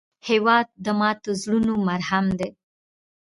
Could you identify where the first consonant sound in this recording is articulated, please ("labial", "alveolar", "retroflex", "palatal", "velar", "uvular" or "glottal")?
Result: glottal